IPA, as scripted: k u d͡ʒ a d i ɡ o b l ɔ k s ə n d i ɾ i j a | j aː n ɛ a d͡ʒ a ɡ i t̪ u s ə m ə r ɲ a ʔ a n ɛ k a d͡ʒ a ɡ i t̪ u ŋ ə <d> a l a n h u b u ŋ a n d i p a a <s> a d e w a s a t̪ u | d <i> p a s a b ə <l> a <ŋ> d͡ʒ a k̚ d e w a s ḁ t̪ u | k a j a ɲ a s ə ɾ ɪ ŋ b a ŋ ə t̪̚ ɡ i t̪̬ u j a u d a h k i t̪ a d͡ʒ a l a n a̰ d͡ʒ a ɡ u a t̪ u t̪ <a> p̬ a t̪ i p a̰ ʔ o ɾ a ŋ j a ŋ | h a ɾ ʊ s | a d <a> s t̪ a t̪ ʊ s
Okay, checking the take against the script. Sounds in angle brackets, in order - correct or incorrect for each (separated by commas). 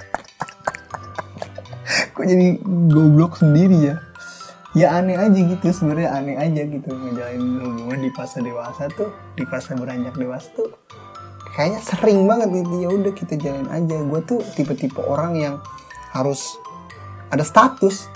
incorrect, correct, correct, incorrect, incorrect, incorrect, correct